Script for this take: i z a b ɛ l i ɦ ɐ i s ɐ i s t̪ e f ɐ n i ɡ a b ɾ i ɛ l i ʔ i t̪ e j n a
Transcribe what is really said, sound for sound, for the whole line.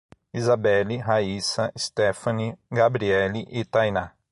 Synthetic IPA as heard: i z a b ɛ l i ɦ a i s ɐ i s t̪ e f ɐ n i ɡ a b ɾ i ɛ l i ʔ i t̪ a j n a

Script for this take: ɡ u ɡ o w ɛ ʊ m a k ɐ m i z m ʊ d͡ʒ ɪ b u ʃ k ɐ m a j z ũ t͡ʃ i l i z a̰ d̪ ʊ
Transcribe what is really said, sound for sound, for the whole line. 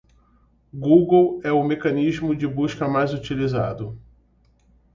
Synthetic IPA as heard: ɡ u ɡ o w ɛ ʊ m e k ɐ n i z m ʊ d͡ʒ ɪ b u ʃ k ɐ m a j z u t͡ʃ i l i z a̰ d̪ ʊ

